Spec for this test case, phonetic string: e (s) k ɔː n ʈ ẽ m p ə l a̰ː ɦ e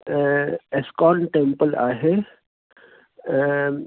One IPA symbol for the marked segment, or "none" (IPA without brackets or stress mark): s